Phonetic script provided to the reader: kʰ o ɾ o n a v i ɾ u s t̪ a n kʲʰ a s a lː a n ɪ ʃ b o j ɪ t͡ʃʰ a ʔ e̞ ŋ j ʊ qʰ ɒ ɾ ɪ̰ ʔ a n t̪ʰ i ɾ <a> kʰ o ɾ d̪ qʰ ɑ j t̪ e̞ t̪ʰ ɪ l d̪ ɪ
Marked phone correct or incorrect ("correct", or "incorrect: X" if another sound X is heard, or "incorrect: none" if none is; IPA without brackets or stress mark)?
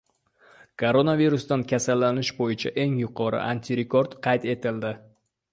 incorrect: e